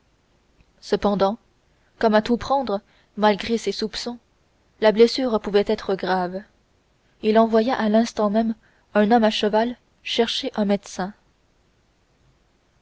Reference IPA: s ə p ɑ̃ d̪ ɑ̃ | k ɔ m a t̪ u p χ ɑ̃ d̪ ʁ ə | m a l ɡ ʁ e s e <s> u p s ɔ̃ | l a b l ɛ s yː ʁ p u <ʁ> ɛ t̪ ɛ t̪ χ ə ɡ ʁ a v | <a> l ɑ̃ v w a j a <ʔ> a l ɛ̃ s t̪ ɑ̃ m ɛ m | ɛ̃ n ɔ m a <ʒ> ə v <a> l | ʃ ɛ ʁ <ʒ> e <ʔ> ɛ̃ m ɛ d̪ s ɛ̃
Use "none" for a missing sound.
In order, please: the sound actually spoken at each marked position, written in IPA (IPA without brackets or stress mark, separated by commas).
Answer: s, v, i, ʔ, ʃ, a, ʃ, ʔ